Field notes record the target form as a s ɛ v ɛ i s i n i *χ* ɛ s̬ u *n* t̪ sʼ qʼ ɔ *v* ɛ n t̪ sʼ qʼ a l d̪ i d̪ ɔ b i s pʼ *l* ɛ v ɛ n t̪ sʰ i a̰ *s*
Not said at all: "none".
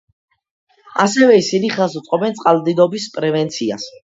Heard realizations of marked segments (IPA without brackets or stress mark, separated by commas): χ, none, b, ɾ, s